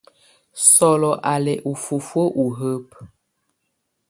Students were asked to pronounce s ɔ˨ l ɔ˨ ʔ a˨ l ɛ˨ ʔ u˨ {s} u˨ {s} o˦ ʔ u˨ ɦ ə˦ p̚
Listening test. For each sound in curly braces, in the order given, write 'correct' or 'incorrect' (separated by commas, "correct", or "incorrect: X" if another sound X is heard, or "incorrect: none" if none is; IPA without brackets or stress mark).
incorrect: f, incorrect: f